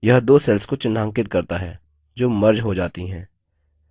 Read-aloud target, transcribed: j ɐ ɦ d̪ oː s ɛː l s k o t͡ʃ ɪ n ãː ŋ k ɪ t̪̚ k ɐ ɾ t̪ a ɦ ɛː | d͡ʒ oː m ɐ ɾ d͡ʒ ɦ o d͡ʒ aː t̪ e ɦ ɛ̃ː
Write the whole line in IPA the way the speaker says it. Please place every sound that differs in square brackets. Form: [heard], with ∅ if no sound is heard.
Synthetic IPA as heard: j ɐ ɦ d̪ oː s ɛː l s k o t͡ʃ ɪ n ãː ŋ k ɪ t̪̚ k ɐ ɾ t̪ a ɦ ɛː | d͡ʒ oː m ɐ ɾ d͡ʒ ɦ o d͡ʒ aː t̪ [i] ɦ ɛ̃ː